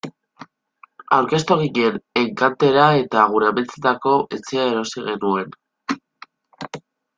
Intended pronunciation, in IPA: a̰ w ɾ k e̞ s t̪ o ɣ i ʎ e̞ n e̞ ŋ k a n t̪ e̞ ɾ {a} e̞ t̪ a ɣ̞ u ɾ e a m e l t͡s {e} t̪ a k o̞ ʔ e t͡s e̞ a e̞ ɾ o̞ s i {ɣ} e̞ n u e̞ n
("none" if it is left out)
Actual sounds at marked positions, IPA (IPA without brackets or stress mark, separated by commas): a, e, ɣ